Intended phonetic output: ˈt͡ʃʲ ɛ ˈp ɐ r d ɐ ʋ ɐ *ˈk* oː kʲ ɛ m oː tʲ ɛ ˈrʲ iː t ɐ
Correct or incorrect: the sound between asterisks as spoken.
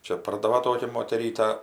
incorrect: t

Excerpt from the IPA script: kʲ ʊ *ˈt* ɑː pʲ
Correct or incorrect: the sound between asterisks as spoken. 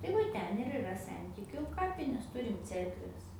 incorrect: k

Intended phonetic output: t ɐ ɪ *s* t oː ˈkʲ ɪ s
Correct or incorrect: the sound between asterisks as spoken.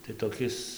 incorrect: none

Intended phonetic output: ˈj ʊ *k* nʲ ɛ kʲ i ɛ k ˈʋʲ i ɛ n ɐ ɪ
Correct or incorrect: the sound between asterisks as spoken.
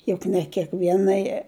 correct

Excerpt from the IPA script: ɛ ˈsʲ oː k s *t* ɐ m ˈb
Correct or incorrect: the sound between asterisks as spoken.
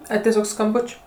incorrect: k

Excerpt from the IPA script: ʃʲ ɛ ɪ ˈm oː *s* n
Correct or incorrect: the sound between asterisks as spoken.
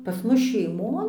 incorrect: none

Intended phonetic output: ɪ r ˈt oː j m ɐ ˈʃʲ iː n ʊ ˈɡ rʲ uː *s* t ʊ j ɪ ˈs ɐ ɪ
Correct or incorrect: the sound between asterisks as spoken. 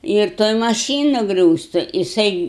correct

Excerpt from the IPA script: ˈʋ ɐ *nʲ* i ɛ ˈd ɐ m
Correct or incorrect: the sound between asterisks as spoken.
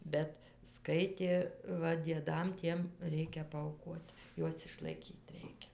incorrect: dʲ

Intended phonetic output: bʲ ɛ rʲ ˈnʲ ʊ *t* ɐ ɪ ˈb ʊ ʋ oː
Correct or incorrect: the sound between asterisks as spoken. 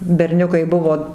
incorrect: k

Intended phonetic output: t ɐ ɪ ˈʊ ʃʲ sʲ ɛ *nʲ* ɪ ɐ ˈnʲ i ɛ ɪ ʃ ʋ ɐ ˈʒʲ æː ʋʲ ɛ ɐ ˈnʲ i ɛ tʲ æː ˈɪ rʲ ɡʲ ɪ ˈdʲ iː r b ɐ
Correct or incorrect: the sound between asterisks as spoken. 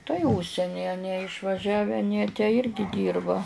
correct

